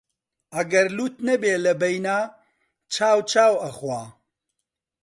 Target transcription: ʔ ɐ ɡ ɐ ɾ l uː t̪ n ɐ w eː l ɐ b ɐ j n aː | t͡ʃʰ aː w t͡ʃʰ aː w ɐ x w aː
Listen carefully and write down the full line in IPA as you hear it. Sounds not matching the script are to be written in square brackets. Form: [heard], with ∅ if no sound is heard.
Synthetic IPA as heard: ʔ ɐ ɡ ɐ ɾ l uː t̪ n ɐ [b] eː l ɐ b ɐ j n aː | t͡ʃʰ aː w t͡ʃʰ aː w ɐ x w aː